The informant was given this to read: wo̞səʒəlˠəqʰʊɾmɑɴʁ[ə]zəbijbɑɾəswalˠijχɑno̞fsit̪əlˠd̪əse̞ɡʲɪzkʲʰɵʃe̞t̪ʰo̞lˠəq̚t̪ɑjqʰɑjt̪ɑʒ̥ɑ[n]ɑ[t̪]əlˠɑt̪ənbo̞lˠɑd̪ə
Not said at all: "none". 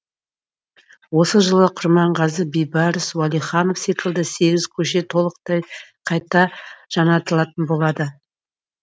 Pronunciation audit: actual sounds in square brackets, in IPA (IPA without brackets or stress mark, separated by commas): ɑ, n, t̪